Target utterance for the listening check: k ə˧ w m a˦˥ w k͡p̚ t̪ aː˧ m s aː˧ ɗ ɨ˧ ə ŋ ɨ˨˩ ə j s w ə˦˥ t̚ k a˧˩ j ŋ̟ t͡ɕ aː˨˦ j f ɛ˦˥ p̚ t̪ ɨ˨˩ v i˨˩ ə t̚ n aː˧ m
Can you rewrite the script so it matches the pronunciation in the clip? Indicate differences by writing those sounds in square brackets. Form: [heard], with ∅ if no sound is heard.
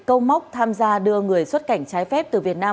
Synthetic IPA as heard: k ə˧ w m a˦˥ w k͡p̚ [t̪ʰ] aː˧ m [z] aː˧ ɗ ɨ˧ ə ŋ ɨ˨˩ ə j s w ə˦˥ t̚ k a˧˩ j ŋ̟ t͡ɕ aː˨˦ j f ɛ˦˥ p̚ t̪ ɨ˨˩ v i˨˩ ə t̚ n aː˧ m